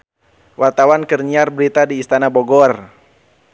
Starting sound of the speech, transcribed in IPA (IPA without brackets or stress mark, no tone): w